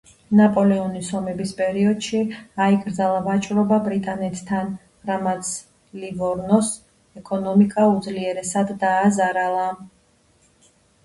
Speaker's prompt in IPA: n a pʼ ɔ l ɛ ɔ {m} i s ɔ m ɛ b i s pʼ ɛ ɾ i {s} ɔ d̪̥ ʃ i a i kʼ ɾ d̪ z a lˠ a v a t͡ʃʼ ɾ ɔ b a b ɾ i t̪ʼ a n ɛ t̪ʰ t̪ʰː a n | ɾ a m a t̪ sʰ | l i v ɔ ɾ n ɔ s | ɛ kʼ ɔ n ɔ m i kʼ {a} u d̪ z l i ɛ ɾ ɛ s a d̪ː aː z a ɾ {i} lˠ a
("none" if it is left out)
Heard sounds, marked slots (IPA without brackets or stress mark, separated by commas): n, none, a, a